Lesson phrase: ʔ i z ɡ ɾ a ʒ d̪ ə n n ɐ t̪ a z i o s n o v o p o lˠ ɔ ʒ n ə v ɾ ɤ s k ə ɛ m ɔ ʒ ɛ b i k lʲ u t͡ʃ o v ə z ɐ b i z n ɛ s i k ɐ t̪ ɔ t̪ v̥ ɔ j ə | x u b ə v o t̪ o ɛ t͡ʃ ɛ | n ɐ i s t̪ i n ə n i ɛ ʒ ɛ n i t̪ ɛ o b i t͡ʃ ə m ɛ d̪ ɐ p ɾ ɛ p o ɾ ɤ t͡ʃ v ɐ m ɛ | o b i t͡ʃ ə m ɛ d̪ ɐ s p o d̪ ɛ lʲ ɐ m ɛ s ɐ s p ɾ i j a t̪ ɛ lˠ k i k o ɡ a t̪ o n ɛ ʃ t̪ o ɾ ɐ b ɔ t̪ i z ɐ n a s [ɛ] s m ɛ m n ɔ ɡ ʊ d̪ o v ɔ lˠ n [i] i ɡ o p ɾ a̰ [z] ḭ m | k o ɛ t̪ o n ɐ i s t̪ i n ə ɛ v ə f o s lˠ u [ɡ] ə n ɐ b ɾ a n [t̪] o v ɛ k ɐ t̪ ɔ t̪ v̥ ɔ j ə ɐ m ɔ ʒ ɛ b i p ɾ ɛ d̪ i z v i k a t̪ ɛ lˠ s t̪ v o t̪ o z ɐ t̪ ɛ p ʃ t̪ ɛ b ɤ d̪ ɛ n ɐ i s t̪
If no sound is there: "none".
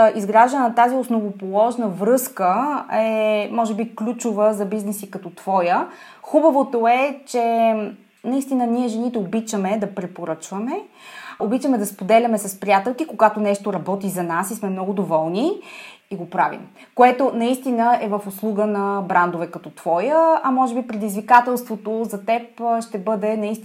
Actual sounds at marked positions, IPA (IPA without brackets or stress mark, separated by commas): i, i, v, ɡ, d̪